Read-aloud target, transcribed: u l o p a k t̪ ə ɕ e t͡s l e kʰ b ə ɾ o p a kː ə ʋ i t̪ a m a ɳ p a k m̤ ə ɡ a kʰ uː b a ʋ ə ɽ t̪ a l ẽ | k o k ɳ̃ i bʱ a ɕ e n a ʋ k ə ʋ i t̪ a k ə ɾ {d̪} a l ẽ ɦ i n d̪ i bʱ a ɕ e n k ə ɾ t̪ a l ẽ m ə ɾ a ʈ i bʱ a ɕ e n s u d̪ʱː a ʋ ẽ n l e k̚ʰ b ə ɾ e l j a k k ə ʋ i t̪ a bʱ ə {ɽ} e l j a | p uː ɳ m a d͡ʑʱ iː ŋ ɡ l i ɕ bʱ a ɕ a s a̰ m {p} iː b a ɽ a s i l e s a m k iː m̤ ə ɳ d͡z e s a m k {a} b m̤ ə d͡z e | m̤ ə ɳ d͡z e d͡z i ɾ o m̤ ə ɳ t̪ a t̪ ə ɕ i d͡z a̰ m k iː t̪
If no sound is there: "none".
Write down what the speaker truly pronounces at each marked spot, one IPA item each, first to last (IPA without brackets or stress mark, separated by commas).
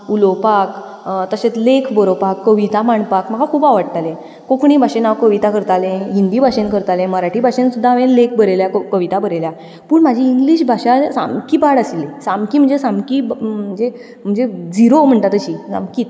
t̪, ɾ, k, i